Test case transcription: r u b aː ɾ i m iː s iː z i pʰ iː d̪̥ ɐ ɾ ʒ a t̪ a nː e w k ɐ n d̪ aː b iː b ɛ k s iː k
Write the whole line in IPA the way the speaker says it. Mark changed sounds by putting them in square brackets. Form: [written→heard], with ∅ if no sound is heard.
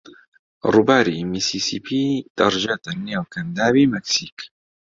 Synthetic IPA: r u b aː ɾ i m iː s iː [z→s] i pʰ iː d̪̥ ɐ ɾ ʒ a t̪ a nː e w k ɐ n d̪ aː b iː [b→m] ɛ k s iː k